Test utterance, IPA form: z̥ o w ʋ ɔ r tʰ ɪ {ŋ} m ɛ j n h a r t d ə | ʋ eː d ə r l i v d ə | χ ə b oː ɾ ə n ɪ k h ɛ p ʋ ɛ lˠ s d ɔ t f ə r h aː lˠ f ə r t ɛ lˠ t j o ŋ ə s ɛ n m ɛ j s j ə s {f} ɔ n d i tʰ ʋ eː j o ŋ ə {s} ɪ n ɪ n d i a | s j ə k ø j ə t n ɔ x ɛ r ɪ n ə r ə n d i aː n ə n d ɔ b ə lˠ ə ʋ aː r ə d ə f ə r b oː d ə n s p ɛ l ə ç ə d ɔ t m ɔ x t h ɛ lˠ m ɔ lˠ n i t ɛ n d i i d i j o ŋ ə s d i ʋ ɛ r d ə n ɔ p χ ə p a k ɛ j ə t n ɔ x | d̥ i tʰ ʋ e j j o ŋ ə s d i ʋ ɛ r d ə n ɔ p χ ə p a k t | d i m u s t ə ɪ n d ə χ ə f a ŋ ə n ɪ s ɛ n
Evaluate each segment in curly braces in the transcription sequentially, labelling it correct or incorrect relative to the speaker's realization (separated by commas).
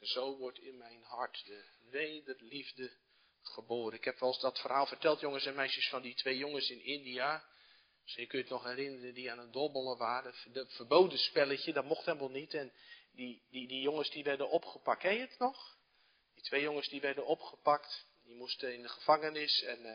incorrect, correct, correct